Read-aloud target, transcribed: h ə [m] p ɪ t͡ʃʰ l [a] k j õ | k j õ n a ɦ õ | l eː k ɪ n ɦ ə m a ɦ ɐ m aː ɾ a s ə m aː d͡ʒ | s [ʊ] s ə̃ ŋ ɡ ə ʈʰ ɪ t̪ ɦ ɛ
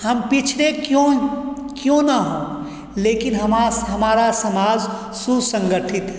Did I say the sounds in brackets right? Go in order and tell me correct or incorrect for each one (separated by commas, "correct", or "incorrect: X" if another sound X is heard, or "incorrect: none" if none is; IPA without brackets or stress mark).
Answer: correct, incorrect: e, incorrect: u